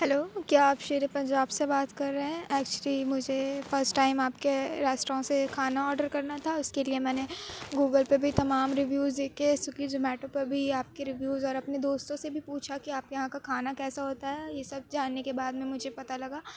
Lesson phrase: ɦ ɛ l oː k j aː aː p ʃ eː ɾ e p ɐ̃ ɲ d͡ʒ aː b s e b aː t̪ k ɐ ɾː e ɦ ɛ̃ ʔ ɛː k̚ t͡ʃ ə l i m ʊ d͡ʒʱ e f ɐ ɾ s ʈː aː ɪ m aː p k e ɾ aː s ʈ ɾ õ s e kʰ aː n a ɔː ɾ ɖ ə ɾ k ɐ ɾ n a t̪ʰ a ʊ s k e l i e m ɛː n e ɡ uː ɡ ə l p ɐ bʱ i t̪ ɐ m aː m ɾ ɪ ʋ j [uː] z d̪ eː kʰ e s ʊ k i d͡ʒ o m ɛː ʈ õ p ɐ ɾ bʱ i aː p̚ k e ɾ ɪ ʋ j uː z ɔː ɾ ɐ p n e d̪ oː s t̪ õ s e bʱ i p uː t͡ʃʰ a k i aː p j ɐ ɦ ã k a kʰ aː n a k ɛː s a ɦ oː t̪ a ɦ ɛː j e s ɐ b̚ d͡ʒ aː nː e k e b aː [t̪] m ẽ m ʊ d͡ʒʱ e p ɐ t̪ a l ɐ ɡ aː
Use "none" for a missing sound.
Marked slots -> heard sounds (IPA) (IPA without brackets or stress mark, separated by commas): uː, d̪